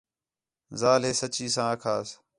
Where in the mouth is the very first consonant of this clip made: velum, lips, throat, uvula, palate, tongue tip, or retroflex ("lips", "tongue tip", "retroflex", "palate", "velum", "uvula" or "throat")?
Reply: tongue tip